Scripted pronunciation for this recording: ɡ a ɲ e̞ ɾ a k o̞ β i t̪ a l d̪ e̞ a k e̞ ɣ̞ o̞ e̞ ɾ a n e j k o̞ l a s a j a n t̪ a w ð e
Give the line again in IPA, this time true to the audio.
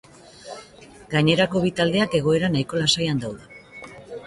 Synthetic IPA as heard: ɡ a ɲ e̞ ɾ a k o̞ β i t̪ a l d̪ e̞ a k e̞ ɣ̞ o̞ e̞ ɾ a n a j k o̞ l a s a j a n d̪ a w ð e